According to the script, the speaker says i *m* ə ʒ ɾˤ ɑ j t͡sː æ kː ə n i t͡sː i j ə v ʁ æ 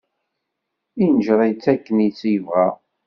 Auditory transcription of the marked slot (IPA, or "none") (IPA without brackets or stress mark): n